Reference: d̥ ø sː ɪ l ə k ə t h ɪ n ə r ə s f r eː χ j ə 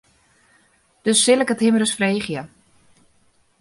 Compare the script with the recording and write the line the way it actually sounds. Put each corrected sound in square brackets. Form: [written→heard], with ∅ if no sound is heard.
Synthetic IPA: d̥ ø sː ɪ l ə k ə t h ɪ [n→m] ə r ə s f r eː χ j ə